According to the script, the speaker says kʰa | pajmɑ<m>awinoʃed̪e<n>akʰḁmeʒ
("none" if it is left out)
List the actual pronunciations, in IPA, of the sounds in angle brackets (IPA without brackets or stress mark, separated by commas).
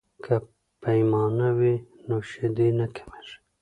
n, n